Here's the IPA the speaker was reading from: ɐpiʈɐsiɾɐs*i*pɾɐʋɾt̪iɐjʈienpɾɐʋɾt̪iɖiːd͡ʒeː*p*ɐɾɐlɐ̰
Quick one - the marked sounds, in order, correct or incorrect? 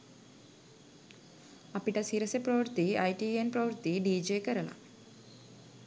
incorrect: e, incorrect: k

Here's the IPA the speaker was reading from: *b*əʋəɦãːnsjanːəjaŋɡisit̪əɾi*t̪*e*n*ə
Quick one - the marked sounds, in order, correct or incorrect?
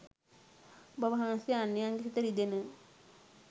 correct, incorrect: d̪, correct

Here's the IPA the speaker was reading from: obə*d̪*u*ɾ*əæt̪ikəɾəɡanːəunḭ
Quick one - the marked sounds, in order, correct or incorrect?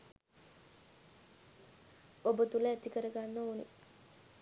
incorrect: t̪, incorrect: l

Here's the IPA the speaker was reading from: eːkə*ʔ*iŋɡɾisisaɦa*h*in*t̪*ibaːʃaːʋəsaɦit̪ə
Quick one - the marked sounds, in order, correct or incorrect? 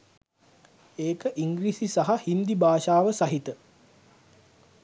correct, correct, incorrect: d̪

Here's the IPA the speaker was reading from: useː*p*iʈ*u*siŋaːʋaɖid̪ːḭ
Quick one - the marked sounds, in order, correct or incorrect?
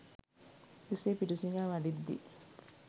correct, correct

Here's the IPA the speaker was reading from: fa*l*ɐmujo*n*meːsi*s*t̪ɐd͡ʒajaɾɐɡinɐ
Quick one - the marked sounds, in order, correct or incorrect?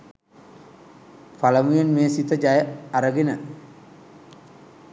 correct, correct, incorrect: none

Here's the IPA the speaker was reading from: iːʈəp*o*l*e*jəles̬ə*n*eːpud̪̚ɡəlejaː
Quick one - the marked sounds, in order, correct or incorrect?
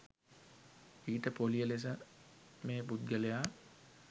correct, incorrect: i, incorrect: m

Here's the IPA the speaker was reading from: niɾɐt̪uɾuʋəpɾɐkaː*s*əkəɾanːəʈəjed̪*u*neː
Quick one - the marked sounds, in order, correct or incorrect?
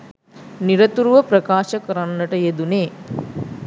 incorrect: ʃ, correct

